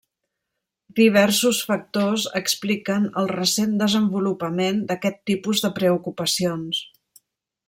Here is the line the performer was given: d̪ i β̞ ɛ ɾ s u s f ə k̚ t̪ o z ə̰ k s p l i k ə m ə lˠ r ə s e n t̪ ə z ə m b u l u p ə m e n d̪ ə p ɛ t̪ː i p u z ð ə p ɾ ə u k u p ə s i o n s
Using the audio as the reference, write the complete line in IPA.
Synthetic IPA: d̪ i β̞ ɛ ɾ s u s f ə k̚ t̪ o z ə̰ k s p l i k ə n ə lˠ r ə s e n d̪ ə z ə m b u l u p ə m e n d̪ ə k ɛ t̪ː i p u z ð ə p ɾ ə u k u p ə s i o n s